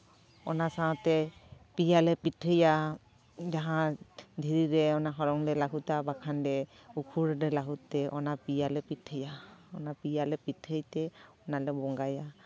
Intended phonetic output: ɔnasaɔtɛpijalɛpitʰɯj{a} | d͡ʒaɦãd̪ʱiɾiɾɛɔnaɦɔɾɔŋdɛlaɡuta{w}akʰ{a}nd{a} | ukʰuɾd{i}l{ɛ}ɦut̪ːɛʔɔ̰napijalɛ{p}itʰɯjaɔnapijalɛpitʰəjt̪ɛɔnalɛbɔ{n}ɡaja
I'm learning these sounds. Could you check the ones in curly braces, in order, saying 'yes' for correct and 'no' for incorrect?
yes, no, yes, no, no, no, yes, no

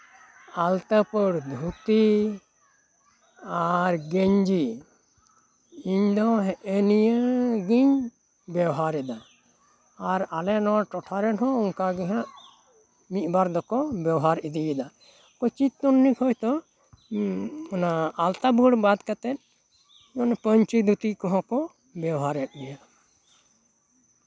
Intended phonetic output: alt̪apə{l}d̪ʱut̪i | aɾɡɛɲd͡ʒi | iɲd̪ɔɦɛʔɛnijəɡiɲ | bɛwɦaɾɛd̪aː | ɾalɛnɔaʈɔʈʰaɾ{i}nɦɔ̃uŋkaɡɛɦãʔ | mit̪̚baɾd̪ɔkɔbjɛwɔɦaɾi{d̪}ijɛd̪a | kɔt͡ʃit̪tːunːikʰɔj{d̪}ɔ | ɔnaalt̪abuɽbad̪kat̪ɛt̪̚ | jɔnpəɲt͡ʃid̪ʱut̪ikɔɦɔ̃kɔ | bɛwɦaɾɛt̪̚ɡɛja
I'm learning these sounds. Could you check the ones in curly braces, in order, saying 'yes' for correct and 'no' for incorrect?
no, no, yes, no

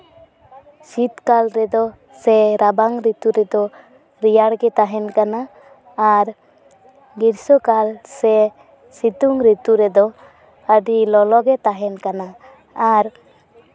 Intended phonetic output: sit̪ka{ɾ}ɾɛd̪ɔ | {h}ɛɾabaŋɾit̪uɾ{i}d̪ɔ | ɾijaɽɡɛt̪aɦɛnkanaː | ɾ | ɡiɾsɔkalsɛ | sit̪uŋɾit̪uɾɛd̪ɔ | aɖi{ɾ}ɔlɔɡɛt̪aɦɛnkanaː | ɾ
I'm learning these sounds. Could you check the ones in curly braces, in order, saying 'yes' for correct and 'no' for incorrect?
no, no, no, no

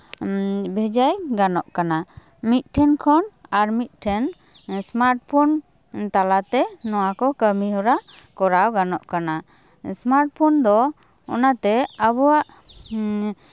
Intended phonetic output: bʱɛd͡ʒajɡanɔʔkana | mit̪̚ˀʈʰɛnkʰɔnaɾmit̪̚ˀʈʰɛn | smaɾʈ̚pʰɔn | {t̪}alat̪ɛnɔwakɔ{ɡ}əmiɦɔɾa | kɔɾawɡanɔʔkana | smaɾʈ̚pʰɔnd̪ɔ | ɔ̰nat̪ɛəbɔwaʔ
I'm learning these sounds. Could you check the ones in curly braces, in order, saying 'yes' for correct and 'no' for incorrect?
yes, no

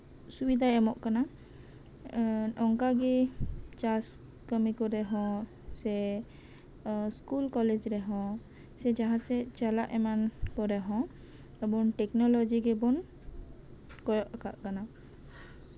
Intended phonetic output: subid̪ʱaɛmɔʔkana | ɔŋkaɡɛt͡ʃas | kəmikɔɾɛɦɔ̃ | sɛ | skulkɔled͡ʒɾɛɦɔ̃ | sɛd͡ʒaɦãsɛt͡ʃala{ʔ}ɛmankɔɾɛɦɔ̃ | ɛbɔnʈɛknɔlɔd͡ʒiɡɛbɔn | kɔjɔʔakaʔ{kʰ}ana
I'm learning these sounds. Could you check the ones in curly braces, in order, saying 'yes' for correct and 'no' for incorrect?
yes, no

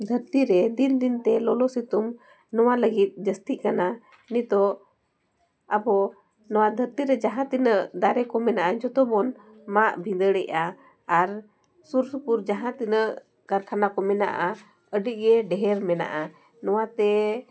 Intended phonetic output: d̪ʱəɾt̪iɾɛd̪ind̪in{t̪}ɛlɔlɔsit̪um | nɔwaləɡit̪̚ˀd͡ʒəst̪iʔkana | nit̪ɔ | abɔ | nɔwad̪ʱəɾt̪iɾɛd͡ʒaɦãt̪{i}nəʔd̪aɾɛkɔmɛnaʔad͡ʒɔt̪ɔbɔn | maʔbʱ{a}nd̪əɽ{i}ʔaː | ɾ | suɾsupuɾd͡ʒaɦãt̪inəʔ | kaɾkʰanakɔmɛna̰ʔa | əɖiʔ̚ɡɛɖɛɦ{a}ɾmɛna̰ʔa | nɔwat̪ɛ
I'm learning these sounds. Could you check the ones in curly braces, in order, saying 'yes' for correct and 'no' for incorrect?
yes, yes, no, no, no

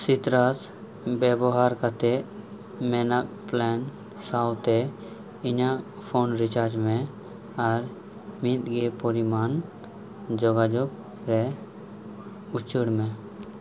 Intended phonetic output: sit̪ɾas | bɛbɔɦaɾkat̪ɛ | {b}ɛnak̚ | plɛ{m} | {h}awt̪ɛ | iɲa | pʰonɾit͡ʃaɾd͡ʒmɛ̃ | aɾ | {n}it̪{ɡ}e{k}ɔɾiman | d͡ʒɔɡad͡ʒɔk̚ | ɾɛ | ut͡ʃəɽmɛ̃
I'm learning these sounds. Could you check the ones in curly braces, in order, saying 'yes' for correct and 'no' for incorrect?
no, no, no, no, yes, no

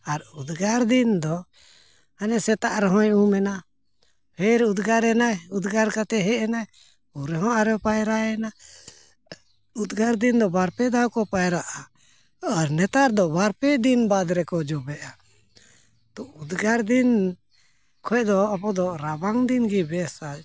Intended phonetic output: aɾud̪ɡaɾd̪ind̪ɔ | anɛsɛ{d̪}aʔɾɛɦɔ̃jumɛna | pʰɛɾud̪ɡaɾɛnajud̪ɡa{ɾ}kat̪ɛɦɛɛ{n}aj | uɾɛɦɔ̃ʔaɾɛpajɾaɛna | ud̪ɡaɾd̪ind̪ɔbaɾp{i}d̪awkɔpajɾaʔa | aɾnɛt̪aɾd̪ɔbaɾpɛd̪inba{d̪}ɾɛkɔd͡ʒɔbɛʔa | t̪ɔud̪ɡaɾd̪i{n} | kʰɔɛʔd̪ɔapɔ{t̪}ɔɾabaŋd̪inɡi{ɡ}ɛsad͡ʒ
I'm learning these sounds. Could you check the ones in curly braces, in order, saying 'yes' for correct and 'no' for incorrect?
no, yes, yes, no, yes, yes, no, no

